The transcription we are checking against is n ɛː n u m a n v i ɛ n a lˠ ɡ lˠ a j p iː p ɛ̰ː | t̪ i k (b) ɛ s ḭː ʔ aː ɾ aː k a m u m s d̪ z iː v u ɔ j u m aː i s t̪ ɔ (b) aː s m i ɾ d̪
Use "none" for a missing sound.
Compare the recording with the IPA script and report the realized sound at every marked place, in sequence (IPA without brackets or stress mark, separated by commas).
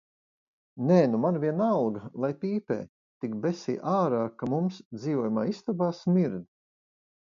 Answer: b, b